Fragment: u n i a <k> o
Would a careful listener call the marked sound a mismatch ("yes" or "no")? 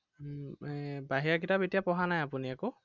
no